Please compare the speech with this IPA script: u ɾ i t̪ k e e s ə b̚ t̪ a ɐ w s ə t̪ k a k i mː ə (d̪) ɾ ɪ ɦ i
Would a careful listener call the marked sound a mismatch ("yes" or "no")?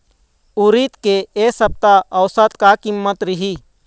yes